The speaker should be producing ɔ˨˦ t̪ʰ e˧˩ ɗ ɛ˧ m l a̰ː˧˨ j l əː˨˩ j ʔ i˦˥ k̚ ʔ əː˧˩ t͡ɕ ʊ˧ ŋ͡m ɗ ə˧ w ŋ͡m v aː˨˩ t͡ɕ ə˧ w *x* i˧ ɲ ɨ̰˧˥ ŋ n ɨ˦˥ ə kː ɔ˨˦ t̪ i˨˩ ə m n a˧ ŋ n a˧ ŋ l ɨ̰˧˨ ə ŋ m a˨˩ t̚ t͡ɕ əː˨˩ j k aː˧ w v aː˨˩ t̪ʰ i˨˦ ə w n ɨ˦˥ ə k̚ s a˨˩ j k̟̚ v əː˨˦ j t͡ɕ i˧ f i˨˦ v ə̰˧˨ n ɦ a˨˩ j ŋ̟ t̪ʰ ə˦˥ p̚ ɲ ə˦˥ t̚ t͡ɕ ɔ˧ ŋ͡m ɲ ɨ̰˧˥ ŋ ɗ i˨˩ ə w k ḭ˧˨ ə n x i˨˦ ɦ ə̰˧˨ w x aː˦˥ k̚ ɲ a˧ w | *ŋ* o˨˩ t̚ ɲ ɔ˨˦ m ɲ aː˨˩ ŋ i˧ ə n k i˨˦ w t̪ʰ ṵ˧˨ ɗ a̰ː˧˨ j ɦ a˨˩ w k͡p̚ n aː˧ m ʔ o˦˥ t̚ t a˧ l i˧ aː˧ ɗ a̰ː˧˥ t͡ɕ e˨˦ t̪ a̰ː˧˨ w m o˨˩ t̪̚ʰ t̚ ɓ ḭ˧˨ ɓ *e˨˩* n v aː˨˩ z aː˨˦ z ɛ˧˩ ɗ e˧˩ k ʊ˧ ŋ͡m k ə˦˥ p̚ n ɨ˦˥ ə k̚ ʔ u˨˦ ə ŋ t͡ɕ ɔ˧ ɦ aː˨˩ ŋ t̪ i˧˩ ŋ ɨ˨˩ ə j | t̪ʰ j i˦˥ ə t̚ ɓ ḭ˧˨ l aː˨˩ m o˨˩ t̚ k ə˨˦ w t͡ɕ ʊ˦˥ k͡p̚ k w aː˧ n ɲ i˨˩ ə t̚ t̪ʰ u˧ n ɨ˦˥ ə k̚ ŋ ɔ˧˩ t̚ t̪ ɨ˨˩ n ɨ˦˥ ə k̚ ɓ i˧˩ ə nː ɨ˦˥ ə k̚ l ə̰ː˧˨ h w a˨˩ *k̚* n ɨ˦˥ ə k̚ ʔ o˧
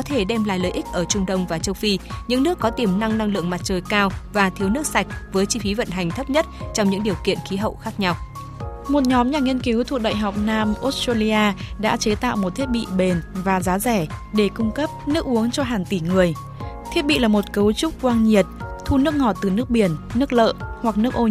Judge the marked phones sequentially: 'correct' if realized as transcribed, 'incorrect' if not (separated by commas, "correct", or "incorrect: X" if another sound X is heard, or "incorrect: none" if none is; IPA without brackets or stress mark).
incorrect: f, incorrect: m, correct, correct